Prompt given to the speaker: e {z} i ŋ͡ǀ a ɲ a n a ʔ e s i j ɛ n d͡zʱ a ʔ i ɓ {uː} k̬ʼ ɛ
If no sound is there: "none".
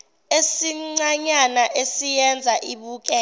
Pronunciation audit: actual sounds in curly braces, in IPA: s, uː

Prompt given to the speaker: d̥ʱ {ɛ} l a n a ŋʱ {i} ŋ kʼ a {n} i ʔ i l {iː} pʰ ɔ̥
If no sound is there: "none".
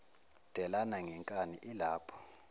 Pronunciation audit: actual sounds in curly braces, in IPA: ɛ, ɛ, n, aː

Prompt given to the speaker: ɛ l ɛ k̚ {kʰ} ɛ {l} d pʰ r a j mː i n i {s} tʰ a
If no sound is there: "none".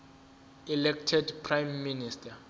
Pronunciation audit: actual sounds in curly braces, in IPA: tʰ, none, s

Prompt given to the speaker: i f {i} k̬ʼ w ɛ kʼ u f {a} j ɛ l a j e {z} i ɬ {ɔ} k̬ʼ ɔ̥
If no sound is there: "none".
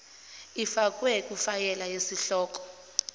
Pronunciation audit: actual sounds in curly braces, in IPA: a, a, s, ɔː

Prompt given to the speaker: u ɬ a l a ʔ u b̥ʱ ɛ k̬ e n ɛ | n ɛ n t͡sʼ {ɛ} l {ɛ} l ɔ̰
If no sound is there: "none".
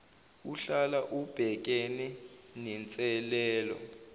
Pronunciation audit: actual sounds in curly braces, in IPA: ɛ, ɛː

